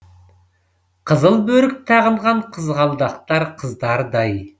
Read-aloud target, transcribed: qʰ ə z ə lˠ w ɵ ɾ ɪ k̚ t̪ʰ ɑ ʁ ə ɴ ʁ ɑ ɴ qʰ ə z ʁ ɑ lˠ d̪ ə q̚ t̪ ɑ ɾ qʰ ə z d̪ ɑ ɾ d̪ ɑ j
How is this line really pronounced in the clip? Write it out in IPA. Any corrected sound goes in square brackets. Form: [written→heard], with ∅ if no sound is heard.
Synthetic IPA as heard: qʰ ə z ə lˠ [w→b] ɵ ɾ ɪ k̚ t̪ʰ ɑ ʁ ə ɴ ʁ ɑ ɴ qʰ ə z ʁ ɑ lˠ d̪ [ə→ɑ] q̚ t̪ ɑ ɾ qʰ ə z d̪ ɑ ɾ d̪ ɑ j